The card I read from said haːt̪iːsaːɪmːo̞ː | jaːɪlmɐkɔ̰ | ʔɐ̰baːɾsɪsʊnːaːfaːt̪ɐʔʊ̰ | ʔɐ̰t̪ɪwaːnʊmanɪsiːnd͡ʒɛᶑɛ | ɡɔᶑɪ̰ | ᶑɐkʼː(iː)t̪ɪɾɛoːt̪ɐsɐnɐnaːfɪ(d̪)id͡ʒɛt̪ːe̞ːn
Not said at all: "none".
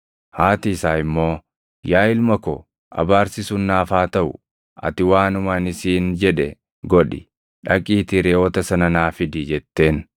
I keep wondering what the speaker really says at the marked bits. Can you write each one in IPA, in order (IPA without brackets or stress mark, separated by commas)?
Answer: iː, d̪